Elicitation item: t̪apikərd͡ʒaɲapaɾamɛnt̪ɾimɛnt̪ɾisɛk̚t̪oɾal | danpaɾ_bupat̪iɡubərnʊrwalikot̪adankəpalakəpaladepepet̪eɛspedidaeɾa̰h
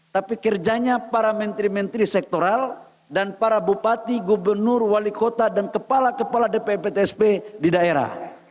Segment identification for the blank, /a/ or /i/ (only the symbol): a